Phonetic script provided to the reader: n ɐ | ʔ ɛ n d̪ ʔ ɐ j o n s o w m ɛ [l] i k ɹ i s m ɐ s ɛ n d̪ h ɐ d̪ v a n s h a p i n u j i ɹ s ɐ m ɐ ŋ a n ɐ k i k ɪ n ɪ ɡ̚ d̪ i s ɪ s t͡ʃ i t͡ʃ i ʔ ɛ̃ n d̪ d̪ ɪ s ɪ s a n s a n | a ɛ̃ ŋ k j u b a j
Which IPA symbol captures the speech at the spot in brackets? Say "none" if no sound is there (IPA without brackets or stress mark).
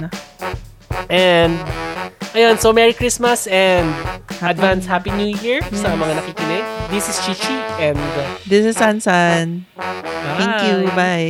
ɹ